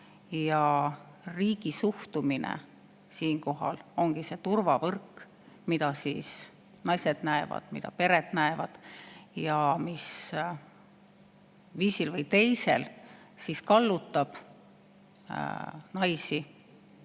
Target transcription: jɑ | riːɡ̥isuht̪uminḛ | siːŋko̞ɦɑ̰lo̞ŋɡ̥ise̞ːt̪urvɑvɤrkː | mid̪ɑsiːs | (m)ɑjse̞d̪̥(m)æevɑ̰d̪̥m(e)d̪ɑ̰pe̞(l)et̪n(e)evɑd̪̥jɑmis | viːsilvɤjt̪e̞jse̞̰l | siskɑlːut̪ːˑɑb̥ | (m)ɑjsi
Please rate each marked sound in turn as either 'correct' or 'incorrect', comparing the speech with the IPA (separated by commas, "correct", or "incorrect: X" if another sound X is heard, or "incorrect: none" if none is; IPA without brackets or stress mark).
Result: incorrect: n, incorrect: n, incorrect: i, incorrect: ɾ, incorrect: æ, incorrect: n